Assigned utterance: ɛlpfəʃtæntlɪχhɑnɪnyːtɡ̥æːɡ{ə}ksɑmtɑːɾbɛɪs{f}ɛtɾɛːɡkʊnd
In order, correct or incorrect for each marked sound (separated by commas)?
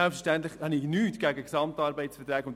correct, correct